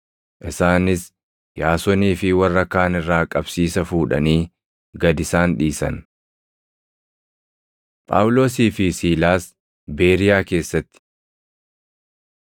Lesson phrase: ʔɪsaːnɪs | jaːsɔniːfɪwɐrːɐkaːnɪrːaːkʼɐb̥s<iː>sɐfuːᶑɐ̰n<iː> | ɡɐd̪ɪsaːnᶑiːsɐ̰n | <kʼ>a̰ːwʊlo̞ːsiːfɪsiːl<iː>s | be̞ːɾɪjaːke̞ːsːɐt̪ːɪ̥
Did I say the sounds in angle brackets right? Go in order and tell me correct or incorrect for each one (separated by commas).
correct, correct, incorrect, incorrect